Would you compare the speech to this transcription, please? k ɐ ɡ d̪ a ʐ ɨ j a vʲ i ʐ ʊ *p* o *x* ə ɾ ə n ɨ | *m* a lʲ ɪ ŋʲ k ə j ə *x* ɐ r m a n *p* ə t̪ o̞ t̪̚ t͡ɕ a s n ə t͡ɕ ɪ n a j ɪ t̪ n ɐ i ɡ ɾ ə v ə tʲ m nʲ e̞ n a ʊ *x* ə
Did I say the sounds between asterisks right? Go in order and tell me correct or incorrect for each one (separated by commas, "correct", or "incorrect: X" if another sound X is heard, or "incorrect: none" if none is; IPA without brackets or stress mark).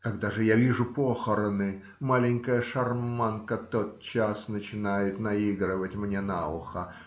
correct, correct, correct, incorrect: ʂ, incorrect: k, correct